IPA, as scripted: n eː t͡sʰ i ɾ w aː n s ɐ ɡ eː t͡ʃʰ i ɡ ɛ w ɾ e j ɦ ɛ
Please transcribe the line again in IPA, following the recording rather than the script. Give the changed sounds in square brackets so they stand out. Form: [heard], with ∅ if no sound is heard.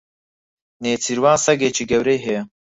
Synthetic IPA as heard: n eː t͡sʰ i ɾ w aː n s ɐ ɡ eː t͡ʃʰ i ɡ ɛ w ɾ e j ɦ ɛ